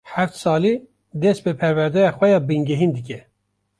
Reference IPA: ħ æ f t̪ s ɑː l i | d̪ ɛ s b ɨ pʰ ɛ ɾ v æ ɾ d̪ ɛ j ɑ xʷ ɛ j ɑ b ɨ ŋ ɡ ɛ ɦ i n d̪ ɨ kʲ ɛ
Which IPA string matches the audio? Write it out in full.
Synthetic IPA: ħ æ f t̪ s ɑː l i | d̪ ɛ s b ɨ pʰ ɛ ɾ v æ ɾ d̪ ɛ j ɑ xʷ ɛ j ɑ b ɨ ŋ ɡ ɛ ɦ i n d̪ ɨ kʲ ɛ